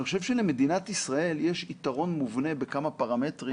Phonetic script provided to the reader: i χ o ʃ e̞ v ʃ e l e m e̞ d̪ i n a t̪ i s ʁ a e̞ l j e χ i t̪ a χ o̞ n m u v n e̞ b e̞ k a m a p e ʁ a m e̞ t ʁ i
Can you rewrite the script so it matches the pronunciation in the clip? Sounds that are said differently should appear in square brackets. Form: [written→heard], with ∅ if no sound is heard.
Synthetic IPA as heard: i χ o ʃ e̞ v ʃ e l e m e̞ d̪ i n a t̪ i s ʁ a e̞ l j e [χ→ʃ] i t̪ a [χ→ʁ] o̞ n m u v n e̞ b e̞ k a m a p [e→a] ʁ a m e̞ t ʁ i